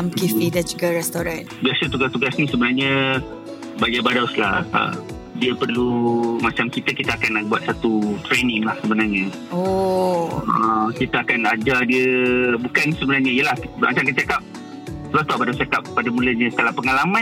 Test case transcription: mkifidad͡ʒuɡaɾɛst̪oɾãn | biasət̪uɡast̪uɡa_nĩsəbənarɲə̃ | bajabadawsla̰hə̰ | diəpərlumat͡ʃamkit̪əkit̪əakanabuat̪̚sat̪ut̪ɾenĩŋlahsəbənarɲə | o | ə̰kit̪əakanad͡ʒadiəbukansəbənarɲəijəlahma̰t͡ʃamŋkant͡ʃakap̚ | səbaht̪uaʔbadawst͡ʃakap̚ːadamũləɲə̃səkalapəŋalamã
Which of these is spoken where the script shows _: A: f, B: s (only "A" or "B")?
B